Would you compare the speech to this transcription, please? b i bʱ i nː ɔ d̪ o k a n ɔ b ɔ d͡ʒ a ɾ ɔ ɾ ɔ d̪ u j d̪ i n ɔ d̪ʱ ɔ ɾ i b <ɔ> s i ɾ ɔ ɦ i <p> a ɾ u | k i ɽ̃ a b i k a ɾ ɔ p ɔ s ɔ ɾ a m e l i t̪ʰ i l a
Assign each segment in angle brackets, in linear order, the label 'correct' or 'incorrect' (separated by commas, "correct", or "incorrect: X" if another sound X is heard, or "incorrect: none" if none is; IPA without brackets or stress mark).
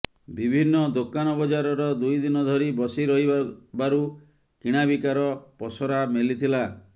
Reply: correct, incorrect: b